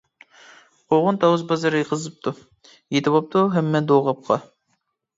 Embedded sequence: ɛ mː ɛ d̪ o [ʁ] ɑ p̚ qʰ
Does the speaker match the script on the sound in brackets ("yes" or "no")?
yes